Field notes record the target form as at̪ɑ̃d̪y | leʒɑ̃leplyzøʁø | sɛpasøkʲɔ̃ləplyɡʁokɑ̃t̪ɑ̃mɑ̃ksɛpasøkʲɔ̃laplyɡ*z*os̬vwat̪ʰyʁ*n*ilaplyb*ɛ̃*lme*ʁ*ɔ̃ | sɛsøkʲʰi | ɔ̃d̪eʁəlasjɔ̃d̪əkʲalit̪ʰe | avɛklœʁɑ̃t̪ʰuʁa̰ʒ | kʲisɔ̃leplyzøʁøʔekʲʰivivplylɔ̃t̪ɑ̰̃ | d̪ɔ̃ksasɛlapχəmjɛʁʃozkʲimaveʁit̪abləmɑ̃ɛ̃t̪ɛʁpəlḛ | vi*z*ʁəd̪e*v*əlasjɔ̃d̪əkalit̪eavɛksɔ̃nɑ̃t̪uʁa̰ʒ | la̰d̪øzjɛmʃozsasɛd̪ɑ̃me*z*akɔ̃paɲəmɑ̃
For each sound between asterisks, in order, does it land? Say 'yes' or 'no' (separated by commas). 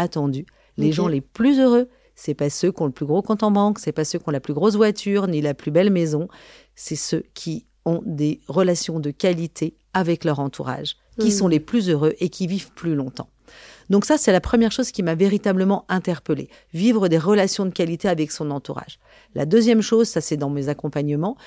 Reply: no, yes, no, no, no, no, yes